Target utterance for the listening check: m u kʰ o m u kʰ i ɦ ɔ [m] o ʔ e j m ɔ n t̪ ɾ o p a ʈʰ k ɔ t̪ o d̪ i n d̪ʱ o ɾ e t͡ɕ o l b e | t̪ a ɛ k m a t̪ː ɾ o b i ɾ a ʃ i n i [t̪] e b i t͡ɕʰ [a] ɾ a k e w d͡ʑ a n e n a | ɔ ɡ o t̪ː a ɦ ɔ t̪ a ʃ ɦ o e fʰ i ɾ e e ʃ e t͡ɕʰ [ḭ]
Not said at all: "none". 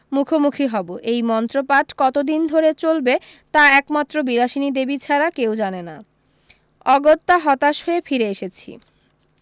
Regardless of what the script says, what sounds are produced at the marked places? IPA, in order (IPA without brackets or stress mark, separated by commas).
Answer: b, d̪, a, ḭ